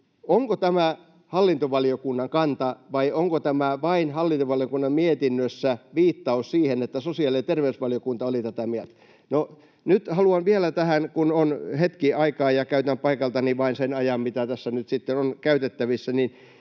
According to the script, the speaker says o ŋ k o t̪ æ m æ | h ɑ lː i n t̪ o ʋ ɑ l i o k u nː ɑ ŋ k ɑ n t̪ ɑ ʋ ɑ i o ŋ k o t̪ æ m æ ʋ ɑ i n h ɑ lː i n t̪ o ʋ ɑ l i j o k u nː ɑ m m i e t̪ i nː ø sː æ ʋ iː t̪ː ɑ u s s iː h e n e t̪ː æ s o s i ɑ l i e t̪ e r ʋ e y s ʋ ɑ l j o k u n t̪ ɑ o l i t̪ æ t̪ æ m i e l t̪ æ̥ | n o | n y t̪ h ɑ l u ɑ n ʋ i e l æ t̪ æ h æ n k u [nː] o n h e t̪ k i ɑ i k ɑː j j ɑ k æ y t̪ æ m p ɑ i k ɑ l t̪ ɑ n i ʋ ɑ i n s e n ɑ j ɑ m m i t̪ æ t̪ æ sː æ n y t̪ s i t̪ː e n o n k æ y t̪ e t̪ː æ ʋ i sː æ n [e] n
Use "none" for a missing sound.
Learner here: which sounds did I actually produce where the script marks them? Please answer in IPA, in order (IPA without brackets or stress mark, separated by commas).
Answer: n, i